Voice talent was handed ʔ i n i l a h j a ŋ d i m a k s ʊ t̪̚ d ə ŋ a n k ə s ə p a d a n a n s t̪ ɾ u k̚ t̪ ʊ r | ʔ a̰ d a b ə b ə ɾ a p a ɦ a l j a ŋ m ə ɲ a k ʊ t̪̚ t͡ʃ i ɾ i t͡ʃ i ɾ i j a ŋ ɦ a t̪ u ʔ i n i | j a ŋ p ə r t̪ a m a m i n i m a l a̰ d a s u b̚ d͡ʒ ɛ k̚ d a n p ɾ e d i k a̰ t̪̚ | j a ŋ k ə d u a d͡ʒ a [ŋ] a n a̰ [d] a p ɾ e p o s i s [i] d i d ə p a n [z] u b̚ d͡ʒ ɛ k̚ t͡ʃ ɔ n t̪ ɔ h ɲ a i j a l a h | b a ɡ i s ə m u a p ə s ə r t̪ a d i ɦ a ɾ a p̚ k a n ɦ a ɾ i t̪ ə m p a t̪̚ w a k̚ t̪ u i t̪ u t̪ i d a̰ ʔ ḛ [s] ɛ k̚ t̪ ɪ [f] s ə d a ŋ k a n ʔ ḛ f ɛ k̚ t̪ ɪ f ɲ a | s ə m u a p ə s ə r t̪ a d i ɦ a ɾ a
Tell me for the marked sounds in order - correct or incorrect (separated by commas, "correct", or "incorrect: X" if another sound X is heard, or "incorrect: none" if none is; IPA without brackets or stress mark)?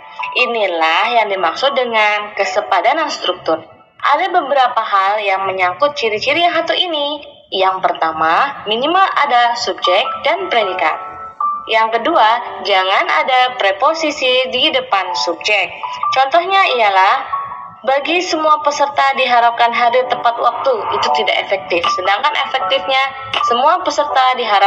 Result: correct, correct, correct, incorrect: s, incorrect: f, correct